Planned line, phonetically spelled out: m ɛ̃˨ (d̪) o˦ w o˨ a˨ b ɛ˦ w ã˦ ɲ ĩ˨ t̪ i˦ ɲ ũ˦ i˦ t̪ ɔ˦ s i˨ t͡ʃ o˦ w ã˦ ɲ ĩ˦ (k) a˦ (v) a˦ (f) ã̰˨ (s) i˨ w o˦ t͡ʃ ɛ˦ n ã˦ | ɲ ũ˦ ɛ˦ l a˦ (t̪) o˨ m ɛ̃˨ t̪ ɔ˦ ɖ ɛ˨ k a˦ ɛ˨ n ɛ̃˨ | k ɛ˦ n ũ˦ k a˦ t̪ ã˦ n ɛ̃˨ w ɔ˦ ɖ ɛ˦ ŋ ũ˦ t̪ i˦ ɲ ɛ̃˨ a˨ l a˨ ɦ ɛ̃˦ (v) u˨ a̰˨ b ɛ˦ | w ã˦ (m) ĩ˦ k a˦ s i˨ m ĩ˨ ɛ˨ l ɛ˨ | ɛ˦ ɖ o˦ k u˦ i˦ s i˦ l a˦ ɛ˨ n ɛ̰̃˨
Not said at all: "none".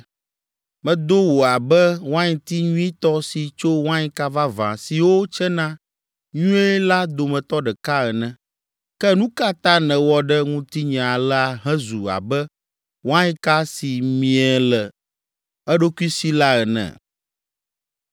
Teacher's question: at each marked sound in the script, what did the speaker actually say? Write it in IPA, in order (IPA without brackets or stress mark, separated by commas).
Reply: d̪, k, v, v, s, d̪, z, ɲ